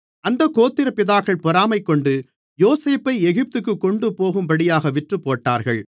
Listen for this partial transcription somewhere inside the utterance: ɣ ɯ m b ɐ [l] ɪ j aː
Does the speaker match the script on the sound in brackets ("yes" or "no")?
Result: no